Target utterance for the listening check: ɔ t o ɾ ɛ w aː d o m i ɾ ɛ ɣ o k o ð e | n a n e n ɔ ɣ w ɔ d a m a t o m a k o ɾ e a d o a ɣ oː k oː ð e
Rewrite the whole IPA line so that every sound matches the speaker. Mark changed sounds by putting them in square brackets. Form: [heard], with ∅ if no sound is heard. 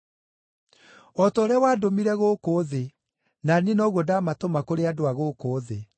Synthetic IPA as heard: ɔ t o ɾ ɛ w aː d o m i ɾ ɛ ɣ o k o ð e | n a n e n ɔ ɣ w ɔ d a m a t o m a k o ɾ e a d o a ɣ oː k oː ð e